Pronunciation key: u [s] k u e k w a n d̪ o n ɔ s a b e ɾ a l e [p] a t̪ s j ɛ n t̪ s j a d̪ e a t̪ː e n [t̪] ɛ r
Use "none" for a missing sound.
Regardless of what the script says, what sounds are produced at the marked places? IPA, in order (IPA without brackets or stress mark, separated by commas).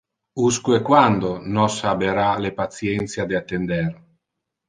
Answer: s, p, d̪